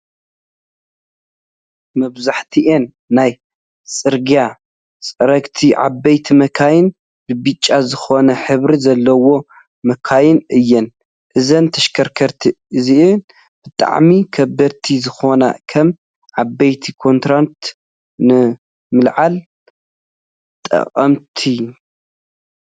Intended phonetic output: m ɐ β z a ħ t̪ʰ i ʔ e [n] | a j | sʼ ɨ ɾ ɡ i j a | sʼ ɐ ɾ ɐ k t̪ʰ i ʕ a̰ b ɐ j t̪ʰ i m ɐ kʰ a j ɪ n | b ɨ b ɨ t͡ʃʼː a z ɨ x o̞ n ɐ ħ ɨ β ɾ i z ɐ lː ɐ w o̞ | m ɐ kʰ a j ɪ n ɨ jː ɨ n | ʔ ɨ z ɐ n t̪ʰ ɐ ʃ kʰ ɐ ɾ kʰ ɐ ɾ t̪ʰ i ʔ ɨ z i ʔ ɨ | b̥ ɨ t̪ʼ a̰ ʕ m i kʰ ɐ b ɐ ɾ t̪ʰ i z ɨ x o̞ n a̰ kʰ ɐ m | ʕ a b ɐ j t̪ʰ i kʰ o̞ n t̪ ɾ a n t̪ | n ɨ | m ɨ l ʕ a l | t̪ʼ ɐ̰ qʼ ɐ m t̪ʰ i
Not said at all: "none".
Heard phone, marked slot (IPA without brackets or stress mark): nː